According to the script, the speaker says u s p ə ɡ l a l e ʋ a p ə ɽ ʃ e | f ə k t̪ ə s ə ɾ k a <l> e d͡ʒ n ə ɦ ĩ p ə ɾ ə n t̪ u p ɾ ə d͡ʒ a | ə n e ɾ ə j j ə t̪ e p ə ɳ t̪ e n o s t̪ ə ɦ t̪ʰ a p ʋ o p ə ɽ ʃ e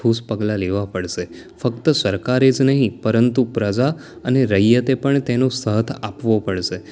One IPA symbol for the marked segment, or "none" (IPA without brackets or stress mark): ɾ